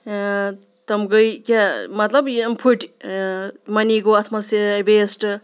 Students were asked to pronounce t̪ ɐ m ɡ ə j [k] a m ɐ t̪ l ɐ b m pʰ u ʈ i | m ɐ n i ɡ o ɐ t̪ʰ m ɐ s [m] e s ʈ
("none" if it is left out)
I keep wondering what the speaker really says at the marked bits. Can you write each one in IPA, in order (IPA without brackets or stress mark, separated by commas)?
k, b